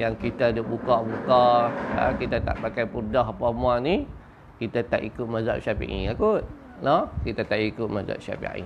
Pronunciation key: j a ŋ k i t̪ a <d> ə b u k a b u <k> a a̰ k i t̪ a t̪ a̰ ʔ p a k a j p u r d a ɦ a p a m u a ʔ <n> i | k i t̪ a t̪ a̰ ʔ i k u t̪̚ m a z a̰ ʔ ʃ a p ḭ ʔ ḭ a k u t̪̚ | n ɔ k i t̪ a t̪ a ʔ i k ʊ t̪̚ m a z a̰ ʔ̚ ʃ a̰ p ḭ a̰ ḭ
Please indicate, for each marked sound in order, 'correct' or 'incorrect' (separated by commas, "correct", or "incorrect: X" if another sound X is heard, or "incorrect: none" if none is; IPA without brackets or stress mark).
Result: correct, correct, correct